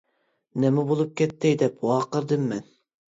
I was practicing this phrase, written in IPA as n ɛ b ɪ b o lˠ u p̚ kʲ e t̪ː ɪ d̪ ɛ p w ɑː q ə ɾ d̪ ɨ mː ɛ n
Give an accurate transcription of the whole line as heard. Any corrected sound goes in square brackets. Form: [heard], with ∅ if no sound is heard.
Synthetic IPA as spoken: n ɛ [m] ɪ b o lˠ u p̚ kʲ [ɛ] t̪ː ɪ d̪ ɛ p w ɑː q ə ɾ d̪ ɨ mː ɛ n